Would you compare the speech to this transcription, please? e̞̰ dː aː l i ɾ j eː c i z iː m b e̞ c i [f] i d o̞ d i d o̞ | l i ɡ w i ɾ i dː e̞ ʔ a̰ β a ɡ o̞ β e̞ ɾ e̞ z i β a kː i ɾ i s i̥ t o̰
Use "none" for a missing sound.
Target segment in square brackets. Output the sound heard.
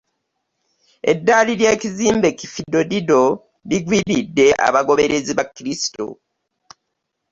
f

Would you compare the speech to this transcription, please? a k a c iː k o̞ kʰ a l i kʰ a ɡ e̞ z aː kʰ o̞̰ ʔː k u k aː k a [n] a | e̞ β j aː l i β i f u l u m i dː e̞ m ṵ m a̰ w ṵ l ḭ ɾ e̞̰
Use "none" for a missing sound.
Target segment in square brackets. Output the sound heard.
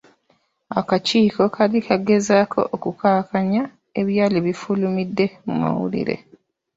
ɲ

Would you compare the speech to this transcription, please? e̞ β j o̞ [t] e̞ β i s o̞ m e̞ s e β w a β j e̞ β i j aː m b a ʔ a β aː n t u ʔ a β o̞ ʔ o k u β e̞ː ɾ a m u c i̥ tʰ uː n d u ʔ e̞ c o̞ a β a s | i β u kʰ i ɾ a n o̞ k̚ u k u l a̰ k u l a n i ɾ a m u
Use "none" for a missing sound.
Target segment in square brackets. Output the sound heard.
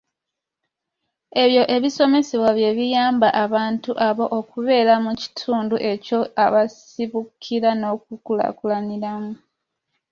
ʔ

